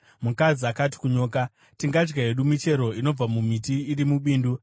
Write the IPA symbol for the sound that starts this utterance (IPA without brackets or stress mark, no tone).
m